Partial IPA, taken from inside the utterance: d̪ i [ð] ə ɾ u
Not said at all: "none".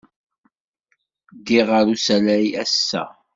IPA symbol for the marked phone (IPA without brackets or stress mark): ʁ